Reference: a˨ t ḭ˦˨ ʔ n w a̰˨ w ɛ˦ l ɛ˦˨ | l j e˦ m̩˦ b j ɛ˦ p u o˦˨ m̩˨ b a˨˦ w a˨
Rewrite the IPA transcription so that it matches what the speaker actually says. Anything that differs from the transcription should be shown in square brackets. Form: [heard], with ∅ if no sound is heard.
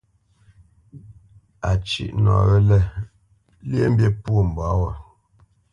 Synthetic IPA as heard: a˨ [t͡ʃ] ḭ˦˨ ʔ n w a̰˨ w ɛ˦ l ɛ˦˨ | l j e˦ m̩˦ b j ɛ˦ p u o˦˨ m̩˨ b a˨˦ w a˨